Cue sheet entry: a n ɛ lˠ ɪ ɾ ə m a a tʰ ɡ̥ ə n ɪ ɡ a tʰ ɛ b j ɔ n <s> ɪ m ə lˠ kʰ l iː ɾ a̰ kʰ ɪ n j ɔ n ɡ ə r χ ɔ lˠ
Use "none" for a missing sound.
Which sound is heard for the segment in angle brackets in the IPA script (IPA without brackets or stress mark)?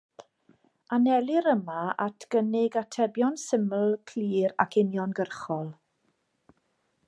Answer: s